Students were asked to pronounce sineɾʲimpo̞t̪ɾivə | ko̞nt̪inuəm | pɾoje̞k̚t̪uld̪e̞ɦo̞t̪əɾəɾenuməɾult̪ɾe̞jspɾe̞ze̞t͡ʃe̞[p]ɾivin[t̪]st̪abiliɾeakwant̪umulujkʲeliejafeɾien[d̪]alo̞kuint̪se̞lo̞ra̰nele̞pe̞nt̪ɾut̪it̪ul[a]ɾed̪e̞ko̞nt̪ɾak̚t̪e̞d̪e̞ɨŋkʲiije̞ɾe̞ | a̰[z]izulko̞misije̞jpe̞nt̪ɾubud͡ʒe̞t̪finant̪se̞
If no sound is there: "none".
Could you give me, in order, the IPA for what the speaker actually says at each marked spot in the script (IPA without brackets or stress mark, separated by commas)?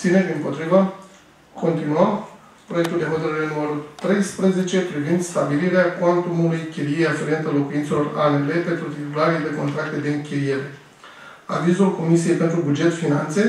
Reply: p, d̪, t̪, a, v